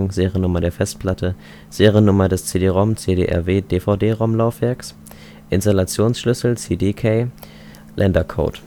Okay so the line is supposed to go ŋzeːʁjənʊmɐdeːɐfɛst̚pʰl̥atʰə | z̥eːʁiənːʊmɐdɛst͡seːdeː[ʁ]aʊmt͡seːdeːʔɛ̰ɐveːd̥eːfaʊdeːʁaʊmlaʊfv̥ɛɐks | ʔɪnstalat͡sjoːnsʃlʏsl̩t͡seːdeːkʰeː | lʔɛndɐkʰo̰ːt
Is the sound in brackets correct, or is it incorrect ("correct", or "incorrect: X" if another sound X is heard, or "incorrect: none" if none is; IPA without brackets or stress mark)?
correct